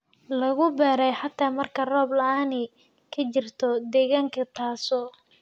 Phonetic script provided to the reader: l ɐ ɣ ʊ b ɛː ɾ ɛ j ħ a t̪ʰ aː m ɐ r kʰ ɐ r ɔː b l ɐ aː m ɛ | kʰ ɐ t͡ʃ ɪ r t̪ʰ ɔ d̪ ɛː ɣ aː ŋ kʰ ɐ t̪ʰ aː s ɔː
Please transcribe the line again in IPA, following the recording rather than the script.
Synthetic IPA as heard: l ɐ ɣ ʊ b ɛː ɾ ɛ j ħ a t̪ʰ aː m ɐ r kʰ ɐ r ɔː b l ɐ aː n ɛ | kʰ ɐ t͡ʃ ɪ r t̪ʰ ɔ d̪ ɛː ɣ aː ŋ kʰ ɐ t̪ʰ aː s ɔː